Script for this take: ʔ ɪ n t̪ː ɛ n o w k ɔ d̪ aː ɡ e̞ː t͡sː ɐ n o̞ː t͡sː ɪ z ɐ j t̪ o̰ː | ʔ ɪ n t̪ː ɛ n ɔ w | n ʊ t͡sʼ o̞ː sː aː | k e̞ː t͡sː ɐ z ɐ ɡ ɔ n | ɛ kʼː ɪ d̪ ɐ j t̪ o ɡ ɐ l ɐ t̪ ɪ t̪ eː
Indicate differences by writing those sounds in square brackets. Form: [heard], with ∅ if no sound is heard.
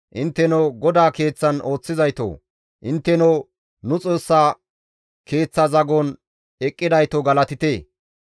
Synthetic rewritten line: ʔ ɪ n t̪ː ɛ n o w [ɡ] ɔ d̪ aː [k] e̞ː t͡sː ɐ n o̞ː t͡sː ɪ z ɐ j t̪ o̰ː | ʔ ɪ n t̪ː ɛ n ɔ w | n ʊ t͡sʼ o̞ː sː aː | k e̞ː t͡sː ɐ z ɐ ɡ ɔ n | ɛ kʼː ɪ d̪ ɐ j t̪ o ɡ ɐ l ɐ t̪ ɪ t̪ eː